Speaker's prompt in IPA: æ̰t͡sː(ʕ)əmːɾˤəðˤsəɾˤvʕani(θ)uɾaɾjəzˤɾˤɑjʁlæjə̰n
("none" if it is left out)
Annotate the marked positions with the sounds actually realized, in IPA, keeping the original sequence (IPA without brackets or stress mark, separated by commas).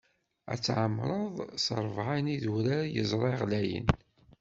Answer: ʕ, ð